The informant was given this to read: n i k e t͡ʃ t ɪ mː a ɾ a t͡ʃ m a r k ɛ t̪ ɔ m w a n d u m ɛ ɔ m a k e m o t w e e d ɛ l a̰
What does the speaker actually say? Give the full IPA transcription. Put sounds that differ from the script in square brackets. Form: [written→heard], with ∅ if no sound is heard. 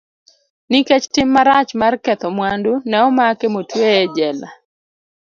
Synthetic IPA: n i k e t͡ʃ t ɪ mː a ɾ a t͡ʃ m a r k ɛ t̪ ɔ m w a n d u [m→n] ɛ ɔ m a k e m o t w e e [d→d͡ʒ] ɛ l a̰